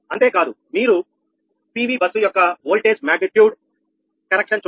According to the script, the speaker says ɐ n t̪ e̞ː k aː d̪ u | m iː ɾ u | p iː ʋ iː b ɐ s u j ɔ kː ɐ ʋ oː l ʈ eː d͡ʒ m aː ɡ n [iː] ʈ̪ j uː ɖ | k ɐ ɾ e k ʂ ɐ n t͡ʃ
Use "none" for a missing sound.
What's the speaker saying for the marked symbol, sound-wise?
i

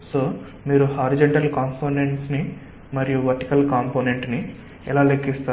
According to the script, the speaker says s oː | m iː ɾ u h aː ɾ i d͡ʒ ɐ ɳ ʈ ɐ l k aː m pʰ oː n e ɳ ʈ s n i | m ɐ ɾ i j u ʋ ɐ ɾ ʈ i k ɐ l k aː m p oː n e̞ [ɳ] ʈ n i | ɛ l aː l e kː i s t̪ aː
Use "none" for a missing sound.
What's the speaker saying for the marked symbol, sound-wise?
ɳ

